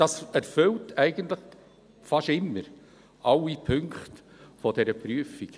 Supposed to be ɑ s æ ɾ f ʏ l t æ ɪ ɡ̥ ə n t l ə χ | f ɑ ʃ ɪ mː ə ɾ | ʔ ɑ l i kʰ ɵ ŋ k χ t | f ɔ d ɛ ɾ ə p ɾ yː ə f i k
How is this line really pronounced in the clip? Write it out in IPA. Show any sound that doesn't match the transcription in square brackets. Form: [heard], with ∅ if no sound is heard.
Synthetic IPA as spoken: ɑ s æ ɾ f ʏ l t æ ɪ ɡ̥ ə n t l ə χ | f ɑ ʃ ɪ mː ə ɾ | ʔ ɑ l i [pʰ] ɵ ŋ k χ t | f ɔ d ɛ ɾ ə p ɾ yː ə f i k